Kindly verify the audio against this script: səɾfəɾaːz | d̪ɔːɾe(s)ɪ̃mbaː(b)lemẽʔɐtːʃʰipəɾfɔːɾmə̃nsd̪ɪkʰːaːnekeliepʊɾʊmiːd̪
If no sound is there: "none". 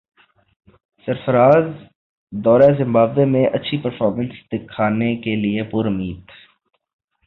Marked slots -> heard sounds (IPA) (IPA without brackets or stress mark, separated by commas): z, b